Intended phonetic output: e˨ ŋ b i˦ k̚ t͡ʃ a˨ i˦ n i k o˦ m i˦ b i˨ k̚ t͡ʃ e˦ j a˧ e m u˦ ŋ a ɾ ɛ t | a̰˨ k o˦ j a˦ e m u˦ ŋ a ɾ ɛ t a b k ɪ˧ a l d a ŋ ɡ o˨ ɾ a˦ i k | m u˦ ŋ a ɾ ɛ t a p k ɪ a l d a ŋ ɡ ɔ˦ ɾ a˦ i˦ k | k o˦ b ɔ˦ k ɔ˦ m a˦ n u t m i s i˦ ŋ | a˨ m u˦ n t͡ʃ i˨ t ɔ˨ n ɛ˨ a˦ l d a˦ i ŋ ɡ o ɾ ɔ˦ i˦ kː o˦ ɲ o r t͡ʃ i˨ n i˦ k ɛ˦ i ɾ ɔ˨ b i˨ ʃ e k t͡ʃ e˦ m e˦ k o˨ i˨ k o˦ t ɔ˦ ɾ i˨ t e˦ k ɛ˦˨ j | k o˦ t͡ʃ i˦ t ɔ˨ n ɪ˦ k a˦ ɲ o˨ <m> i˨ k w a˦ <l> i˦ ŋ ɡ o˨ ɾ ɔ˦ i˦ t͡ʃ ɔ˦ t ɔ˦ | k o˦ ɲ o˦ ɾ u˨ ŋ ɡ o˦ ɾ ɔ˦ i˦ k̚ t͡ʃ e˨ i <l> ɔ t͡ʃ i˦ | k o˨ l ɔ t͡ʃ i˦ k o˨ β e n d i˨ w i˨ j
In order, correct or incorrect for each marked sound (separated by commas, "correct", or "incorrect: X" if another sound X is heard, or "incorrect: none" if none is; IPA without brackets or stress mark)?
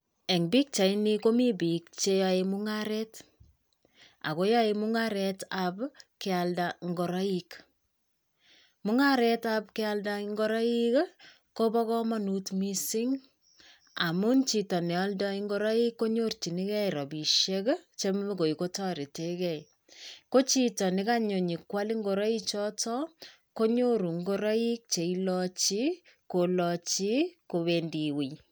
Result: incorrect: ɲ, correct, correct